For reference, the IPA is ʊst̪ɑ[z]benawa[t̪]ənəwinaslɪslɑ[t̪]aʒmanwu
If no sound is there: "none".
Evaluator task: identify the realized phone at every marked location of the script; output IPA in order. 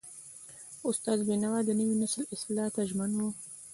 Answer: z, d̪, t̪

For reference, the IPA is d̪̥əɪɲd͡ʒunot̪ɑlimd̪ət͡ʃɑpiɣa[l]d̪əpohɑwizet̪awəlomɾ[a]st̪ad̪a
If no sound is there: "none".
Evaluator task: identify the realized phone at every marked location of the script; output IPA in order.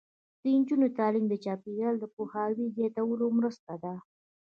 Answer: l, ə

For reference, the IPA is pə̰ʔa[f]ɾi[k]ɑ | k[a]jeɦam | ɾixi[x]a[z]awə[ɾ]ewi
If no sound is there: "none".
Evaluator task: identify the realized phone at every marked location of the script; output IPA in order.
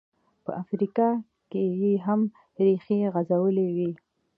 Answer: f, k, e, ɣ, z, l

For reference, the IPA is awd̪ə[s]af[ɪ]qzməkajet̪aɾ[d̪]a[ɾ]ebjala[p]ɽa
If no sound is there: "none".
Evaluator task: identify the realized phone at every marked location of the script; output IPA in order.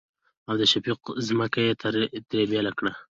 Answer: ʃ, i, t̪, ɾ, k

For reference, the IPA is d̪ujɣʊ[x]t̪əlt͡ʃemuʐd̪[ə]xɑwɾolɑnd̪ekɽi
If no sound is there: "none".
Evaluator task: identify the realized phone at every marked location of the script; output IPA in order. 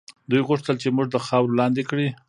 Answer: ʂ, ə

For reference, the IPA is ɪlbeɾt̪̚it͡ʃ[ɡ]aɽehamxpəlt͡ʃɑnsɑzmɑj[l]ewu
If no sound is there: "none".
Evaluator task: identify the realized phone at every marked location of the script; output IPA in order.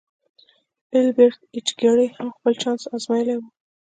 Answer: ɡ, l

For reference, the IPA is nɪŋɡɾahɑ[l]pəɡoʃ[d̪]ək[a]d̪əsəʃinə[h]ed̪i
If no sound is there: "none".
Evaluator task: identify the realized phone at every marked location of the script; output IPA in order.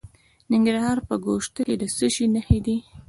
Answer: ɾ, t̪, e, h

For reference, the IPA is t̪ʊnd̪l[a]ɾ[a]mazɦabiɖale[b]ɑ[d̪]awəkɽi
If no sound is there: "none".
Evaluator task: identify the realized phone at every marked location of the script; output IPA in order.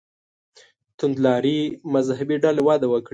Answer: ɑ, i, w, d̪

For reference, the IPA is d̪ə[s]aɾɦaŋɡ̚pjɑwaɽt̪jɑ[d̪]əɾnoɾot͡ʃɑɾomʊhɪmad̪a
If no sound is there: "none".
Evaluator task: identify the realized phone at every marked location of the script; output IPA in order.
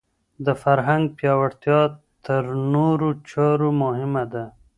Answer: f, t̪

